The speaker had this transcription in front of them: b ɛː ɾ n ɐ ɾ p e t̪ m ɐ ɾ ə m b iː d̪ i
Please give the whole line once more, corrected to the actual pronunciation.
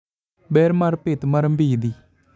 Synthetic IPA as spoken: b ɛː ɾ m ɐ ɾ p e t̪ m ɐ ɾ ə m b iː d̪ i